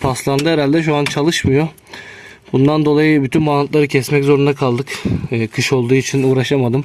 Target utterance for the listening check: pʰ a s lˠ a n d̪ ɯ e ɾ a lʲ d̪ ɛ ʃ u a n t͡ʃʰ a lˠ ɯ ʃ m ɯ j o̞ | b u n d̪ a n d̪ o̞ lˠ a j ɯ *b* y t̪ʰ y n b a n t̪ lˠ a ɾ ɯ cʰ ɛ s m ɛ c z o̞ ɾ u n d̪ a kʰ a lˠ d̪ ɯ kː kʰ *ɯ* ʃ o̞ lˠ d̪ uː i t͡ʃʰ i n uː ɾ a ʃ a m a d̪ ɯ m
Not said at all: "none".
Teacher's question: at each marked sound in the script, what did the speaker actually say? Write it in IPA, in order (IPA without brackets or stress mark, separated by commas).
b, ɯ